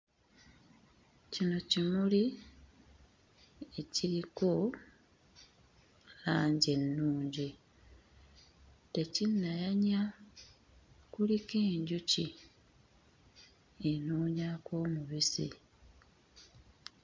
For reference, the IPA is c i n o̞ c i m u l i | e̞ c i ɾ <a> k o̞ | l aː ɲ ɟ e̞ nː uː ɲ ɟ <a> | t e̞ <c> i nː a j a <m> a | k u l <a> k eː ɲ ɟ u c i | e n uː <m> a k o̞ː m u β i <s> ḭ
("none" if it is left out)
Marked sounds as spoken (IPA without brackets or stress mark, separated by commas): i, i, c, ɲ, i, ɲ, s